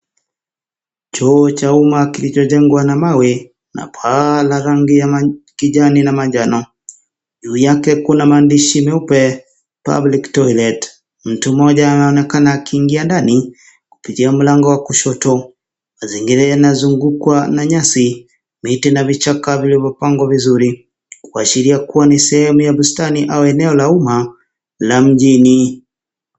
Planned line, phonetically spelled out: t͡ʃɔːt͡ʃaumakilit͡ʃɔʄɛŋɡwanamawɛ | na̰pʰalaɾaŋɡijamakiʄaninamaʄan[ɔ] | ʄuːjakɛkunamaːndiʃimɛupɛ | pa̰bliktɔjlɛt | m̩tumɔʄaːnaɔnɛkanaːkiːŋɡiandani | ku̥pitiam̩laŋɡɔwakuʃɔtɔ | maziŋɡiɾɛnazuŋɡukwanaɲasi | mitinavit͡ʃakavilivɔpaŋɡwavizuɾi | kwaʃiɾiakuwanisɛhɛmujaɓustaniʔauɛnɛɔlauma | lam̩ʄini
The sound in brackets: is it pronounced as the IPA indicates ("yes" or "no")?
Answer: yes